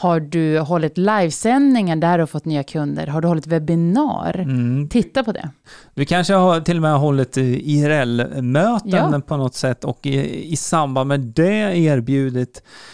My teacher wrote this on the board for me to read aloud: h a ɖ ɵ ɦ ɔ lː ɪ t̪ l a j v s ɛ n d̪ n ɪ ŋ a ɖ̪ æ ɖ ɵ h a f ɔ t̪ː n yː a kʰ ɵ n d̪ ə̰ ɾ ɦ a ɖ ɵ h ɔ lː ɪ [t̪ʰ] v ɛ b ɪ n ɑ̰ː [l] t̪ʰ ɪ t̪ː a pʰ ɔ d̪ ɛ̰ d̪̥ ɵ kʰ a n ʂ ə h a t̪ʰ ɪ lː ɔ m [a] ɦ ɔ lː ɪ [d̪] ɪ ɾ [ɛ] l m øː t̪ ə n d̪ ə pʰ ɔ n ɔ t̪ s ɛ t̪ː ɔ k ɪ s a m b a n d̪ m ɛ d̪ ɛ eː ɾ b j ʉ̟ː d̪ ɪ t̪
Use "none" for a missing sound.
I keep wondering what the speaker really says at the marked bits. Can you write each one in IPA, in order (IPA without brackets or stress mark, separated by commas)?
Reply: t̪, ɾ, ɛ, t̪, ɛ